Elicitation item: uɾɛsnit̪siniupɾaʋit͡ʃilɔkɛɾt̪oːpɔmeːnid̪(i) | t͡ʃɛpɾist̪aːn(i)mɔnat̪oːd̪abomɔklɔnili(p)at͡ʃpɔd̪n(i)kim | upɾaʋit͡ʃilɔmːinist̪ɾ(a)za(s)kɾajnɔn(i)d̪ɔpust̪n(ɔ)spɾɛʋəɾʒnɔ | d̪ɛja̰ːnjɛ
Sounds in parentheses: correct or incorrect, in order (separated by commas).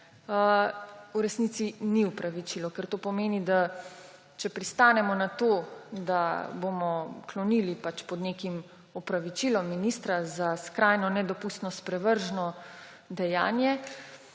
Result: incorrect, incorrect, correct, incorrect, correct, correct, incorrect, correct